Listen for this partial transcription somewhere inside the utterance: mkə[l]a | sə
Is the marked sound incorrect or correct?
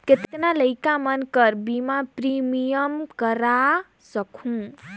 incorrect